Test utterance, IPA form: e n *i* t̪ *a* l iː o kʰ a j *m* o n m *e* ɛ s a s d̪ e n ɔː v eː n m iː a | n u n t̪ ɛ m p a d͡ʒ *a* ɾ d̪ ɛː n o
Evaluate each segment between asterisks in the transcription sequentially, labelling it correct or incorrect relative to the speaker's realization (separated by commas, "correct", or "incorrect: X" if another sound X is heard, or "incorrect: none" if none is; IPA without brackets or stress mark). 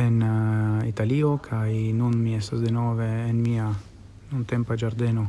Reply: correct, correct, incorrect: n, incorrect: i, correct